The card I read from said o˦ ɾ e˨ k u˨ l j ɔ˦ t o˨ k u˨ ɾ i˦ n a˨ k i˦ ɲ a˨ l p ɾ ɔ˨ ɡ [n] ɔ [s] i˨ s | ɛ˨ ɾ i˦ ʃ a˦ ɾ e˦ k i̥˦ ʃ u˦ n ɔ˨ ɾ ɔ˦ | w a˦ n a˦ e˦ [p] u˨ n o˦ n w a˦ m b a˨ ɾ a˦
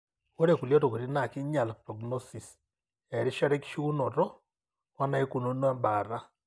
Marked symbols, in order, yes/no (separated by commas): yes, yes, no